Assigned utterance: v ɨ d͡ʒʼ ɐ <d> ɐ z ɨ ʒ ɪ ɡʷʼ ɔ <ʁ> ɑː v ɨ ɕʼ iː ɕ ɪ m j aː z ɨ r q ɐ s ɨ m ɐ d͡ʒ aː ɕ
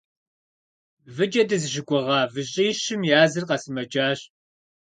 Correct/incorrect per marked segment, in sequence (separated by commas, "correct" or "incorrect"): correct, correct